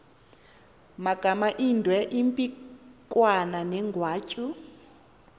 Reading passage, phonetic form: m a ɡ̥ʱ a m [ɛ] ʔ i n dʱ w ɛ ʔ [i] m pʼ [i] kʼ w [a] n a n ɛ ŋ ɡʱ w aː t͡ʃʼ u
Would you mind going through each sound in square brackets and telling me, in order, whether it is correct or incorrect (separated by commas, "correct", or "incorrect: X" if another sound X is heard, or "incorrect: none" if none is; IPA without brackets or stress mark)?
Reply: incorrect: a, correct, correct, correct